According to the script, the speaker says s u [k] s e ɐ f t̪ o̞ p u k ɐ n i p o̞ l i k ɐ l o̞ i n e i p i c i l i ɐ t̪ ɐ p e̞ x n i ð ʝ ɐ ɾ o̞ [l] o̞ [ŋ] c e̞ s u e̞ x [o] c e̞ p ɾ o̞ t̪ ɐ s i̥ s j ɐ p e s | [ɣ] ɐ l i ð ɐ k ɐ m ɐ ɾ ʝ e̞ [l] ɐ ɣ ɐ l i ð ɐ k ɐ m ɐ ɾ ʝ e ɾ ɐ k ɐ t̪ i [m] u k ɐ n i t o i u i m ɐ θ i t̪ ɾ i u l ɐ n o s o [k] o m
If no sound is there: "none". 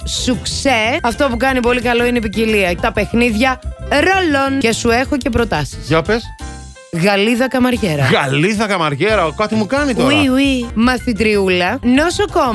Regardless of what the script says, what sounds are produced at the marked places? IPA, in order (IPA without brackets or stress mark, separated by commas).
k, l, n, o, ɣ, ɾ, m, k